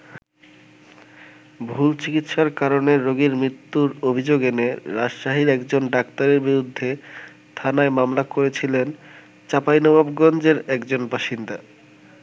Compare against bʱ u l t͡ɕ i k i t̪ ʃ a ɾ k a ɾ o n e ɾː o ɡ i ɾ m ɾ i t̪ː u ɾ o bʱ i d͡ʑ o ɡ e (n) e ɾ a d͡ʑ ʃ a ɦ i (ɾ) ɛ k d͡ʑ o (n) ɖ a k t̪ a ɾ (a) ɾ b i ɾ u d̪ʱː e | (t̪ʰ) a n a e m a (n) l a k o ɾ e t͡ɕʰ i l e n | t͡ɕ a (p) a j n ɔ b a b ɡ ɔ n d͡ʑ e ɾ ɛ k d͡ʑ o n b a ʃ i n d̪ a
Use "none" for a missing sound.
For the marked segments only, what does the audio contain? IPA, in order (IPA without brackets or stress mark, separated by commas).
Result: n, ɾ, n, e, t̪ʰ, m, p